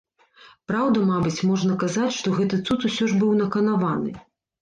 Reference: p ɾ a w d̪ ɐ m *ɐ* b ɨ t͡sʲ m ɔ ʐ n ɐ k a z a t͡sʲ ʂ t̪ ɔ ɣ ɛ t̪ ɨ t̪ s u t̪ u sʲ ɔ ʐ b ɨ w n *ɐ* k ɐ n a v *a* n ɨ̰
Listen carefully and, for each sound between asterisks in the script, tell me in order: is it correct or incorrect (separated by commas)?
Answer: incorrect, correct, correct